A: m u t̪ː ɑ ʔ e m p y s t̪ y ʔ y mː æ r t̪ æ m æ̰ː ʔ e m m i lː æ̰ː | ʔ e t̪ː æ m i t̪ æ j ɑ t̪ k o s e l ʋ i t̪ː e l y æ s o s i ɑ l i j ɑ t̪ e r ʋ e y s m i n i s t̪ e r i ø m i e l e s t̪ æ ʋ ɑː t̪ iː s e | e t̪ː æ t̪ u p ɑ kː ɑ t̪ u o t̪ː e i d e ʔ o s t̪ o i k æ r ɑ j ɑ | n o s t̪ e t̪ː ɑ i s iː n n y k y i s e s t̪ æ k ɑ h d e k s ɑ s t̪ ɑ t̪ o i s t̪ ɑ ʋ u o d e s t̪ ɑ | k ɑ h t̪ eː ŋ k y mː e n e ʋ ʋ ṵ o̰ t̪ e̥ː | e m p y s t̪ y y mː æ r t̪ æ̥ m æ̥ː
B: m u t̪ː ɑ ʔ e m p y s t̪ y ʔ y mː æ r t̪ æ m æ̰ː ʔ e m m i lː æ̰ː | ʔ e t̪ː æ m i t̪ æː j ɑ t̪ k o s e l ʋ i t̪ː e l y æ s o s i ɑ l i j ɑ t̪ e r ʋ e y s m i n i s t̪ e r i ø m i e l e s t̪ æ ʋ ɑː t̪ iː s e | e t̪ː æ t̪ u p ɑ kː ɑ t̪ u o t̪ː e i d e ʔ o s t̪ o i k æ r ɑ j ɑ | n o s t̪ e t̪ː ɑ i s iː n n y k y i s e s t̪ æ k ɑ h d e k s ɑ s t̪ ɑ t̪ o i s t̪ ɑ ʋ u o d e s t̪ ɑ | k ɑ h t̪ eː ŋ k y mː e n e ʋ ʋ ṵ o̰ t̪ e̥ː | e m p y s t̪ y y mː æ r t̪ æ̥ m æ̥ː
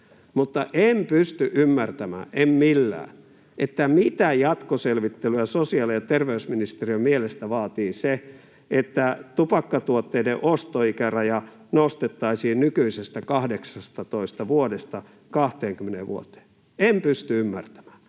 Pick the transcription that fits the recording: A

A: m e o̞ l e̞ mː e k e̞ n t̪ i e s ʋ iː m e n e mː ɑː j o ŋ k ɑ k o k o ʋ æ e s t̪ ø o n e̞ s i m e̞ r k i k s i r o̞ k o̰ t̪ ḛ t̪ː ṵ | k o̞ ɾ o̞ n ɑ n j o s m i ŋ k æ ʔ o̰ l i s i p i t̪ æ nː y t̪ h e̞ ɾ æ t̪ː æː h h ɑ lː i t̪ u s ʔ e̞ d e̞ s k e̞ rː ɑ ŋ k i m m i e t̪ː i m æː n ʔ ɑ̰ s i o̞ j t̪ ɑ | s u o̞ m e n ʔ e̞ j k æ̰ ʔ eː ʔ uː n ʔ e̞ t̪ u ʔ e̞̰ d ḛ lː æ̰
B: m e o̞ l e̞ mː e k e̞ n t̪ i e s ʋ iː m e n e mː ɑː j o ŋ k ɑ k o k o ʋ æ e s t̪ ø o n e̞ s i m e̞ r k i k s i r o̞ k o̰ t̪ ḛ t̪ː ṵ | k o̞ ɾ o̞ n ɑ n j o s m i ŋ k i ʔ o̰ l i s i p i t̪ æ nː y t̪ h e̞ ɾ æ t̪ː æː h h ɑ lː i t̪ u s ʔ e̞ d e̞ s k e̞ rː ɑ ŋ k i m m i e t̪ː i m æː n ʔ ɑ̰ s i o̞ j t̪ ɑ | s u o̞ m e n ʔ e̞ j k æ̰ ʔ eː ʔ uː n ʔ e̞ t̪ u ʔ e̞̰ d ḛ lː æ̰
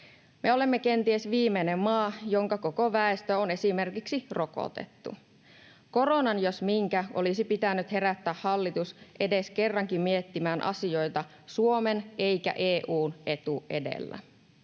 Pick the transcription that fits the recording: A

